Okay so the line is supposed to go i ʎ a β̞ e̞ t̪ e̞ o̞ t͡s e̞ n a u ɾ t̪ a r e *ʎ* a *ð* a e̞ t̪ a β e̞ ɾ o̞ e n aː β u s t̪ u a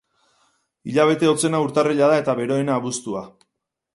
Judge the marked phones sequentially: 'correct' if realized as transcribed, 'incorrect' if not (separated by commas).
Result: correct, correct